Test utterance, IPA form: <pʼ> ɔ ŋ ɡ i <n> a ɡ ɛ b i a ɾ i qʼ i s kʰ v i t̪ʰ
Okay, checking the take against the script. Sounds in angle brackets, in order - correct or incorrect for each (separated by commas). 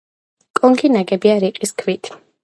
incorrect, correct